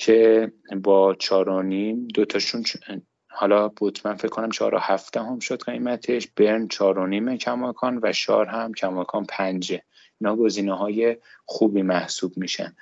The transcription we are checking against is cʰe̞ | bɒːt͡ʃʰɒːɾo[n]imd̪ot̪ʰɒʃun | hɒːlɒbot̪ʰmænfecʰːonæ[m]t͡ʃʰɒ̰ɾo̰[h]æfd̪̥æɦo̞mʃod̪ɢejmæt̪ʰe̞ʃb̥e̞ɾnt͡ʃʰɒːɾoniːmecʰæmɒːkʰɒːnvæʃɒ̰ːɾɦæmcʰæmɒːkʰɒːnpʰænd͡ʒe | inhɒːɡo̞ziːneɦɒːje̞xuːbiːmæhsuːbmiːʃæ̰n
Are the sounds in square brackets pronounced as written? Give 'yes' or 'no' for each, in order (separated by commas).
yes, yes, yes